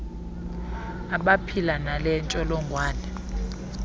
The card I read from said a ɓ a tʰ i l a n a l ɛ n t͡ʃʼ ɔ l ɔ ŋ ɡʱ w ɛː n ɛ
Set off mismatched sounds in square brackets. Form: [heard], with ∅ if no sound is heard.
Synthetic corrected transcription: a ɓ a [pʰ] i l a n a l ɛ n t͡ʃʼ ɔ l ɔ ŋ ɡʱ w [aː] n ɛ